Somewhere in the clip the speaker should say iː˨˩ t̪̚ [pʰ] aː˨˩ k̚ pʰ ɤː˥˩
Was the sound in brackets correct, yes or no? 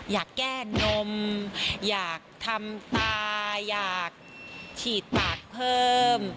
no